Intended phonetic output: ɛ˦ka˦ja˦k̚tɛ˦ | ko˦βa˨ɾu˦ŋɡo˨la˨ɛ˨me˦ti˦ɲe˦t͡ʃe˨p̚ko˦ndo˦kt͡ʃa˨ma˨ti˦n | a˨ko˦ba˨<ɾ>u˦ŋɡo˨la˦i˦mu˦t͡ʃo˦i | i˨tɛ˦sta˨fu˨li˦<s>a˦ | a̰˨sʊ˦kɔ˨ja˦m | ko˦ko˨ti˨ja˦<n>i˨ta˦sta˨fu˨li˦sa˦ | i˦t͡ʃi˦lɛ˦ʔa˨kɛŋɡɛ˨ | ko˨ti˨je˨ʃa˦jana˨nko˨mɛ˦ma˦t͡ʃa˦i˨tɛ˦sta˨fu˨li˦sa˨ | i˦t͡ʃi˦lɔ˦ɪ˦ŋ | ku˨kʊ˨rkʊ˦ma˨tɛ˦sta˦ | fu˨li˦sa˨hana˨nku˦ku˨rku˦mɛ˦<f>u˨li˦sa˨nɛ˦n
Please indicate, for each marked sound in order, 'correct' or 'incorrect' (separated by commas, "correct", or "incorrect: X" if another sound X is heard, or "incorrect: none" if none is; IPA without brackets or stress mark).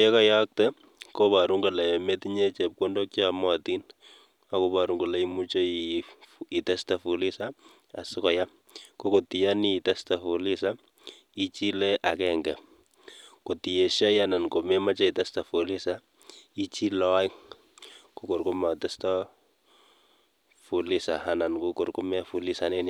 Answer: correct, correct, correct, correct